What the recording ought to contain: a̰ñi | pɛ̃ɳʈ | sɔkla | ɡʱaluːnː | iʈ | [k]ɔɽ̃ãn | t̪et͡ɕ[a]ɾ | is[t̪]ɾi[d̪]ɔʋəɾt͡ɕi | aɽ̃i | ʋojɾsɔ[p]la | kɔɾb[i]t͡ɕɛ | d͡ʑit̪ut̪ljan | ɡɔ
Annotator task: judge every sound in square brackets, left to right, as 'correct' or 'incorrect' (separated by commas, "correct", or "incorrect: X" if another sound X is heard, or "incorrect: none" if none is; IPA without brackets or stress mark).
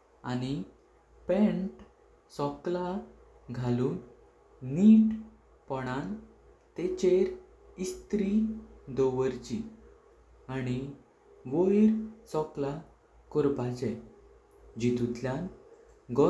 incorrect: p, incorrect: e, correct, correct, incorrect: k, incorrect: a